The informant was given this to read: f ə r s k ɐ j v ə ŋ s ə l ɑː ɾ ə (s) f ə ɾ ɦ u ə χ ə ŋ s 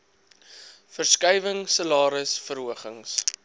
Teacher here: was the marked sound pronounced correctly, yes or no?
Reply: yes